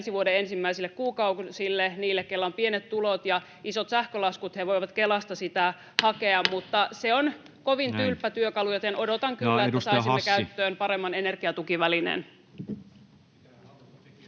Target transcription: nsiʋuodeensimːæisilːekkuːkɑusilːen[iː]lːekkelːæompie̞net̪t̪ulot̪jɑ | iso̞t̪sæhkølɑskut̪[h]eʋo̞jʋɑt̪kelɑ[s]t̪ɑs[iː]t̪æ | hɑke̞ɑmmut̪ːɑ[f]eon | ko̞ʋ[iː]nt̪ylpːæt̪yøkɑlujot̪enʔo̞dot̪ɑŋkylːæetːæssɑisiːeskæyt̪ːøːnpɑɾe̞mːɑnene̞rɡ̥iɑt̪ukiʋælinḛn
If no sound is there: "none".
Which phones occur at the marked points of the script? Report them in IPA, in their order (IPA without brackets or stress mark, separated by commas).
iː, h, s, i, s, i